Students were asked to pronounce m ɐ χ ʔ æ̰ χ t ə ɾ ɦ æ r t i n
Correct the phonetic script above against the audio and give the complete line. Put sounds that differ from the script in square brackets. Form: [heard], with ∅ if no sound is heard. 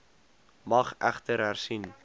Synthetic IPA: m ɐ χ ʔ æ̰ χ t ə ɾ ɦ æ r [s] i n